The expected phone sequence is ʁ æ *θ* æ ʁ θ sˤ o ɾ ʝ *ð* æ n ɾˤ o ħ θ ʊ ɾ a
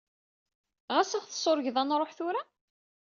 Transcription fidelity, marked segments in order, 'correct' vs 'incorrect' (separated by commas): incorrect, correct